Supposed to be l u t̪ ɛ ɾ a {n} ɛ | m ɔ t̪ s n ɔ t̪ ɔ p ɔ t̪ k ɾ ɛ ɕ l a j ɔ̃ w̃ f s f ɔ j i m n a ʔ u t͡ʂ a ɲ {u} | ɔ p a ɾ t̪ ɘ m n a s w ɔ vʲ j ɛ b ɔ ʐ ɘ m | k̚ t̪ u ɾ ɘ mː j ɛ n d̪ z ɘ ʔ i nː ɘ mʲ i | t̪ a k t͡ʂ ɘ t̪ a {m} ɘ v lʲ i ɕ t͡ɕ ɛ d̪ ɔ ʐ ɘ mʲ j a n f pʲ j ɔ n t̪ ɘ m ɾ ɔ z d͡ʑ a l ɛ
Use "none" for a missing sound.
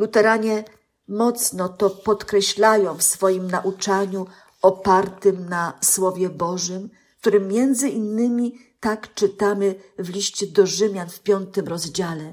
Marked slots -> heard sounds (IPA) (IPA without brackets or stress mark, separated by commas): ɲ, u, m